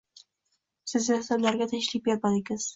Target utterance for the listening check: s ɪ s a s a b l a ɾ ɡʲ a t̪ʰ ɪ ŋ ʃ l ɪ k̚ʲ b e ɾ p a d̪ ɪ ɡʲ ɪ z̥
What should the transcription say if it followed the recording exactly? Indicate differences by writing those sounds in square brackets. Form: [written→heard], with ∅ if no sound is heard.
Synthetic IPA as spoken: s ɪ [s→z] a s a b l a ɾ ɡʲ a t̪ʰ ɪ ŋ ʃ l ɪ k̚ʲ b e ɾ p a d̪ ɪ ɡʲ ɪ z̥